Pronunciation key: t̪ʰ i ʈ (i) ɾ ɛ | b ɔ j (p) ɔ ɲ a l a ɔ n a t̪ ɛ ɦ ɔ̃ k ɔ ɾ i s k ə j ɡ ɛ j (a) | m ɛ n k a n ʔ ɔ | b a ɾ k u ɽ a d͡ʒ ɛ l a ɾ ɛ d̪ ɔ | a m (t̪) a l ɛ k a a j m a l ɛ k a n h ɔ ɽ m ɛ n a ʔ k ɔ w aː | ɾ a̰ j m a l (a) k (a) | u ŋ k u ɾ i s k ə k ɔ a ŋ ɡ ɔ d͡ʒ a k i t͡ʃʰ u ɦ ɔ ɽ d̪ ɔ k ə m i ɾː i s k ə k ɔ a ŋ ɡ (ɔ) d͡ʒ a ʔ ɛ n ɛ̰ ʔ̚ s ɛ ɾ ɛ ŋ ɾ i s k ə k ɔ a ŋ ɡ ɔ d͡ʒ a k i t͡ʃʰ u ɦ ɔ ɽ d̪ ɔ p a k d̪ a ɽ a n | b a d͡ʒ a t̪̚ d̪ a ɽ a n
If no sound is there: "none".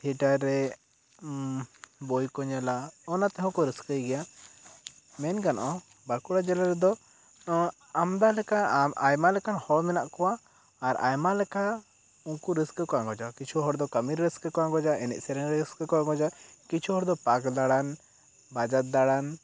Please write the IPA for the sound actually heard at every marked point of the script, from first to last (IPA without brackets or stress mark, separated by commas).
a, k, a, d̪, ɛ, a, ɔ